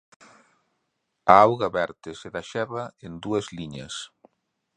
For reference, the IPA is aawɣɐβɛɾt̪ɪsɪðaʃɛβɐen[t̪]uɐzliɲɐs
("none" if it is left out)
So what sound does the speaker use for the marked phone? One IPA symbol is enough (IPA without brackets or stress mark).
d̪